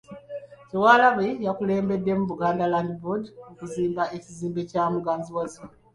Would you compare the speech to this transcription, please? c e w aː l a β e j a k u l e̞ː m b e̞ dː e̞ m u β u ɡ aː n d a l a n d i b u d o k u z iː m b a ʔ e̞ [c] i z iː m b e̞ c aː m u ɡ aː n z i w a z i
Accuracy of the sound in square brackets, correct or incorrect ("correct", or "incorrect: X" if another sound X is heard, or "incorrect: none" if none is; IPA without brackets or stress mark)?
correct